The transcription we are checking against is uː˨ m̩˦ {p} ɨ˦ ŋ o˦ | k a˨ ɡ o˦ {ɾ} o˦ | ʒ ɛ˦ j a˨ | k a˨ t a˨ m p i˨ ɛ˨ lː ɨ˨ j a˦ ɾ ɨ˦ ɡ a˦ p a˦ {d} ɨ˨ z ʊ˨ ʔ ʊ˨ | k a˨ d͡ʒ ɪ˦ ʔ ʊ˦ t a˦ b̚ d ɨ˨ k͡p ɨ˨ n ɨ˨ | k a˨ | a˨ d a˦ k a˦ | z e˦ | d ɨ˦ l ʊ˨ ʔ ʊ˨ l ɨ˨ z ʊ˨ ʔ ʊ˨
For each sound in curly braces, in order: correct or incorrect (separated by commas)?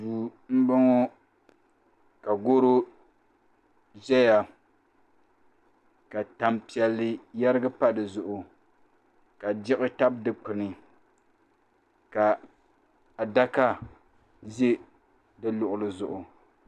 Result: incorrect, correct, correct